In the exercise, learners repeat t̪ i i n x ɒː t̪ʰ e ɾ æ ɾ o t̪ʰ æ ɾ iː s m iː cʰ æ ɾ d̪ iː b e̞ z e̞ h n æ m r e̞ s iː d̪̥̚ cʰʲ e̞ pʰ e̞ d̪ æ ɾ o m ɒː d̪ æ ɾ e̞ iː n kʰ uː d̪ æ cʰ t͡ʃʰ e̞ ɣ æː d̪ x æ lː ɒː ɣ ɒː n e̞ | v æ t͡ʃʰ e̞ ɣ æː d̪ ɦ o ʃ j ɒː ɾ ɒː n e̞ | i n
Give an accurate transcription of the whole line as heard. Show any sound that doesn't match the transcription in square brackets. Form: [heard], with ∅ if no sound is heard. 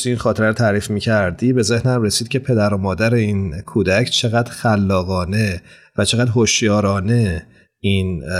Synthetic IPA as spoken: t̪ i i n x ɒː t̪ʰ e ɾ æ ɾ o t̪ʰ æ ɾ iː [f] m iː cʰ æ ɾ d̪ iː b e̞ z e̞ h n æ m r e̞ s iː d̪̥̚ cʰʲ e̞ pʰ e̞ d̪ æ ɾ o m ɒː d̪ æ ɾ e̞ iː n kʰ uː d̪ æ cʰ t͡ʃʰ e̞ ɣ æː d̪ x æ lː ɒː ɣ ɒː n e̞ | v æ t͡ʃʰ e̞ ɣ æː d̪ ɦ o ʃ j ɒː ɾ ɒː n e̞ | i n